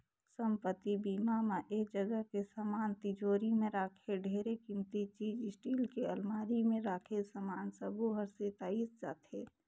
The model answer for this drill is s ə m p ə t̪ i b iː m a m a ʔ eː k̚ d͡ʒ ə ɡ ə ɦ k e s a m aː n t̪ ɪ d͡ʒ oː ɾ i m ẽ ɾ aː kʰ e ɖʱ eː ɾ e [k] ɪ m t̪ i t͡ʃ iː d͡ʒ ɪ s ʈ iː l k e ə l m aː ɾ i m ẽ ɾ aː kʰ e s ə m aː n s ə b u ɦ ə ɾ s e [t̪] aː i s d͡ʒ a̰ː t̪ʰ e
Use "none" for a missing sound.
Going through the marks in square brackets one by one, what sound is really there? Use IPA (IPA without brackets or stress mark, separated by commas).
k, t̪